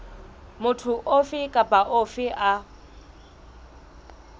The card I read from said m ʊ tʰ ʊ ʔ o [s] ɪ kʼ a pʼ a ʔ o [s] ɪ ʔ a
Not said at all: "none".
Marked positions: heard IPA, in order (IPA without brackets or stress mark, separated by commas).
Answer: f, f